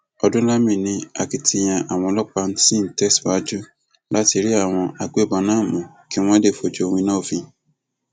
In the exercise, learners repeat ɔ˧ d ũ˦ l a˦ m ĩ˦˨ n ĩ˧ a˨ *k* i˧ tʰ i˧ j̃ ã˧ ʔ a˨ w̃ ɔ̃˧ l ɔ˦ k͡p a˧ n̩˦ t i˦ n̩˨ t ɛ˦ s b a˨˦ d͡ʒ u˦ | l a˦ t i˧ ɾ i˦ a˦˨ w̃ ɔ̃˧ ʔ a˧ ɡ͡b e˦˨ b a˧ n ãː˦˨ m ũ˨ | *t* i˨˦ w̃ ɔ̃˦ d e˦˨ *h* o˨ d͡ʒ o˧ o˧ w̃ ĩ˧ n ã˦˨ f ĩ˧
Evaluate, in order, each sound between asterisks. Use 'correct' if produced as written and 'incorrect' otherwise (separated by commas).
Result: correct, incorrect, incorrect